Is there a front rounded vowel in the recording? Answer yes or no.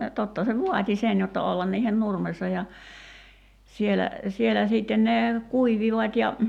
no